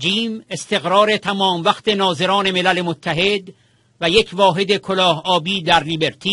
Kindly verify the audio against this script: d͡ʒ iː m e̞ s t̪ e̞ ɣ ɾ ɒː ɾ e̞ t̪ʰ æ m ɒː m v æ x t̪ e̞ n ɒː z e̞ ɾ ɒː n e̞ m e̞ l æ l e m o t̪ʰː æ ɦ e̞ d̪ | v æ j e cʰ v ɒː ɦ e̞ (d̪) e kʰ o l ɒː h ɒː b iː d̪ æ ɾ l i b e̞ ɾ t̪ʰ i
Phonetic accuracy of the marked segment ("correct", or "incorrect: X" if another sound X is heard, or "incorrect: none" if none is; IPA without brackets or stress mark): correct